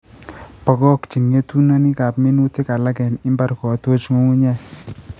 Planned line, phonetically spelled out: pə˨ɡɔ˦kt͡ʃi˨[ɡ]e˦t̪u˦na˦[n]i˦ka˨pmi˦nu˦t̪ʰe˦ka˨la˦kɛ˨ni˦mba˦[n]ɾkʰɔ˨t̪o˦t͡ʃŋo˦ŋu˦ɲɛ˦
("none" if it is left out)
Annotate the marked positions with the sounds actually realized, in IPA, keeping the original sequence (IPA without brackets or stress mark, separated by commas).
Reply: ŋ, n, none